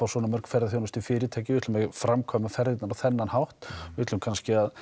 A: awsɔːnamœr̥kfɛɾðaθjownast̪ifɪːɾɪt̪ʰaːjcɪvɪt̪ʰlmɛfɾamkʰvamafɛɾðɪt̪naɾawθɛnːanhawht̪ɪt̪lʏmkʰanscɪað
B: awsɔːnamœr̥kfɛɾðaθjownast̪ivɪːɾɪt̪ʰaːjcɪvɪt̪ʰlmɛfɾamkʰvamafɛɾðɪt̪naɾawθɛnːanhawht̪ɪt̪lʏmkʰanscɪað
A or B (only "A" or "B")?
A